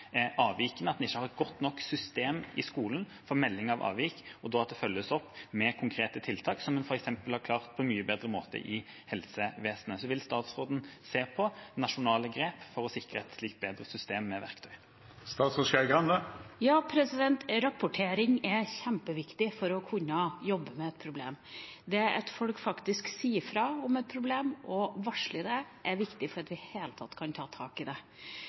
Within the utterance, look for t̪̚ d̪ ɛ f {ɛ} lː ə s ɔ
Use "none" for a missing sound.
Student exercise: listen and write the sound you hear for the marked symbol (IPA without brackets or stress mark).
œ